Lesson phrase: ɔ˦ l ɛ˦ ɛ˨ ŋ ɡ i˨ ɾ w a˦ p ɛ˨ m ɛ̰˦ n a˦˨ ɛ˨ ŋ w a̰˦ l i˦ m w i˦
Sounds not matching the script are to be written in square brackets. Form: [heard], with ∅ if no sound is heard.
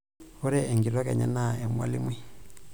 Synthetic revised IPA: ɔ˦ [ɾ] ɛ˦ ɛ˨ ŋ ɡ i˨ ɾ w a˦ [k] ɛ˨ [ɲ] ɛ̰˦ n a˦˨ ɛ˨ [m] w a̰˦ l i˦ m w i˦